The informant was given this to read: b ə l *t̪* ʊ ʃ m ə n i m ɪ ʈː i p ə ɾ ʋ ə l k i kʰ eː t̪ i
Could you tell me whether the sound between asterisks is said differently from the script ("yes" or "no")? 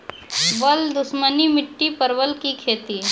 yes